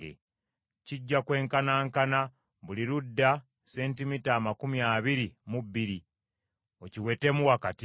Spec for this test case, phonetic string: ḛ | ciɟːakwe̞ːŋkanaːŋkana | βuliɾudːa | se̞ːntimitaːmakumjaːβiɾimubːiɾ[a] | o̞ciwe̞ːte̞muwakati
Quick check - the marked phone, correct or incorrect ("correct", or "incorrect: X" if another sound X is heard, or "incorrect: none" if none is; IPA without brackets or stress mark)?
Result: incorrect: i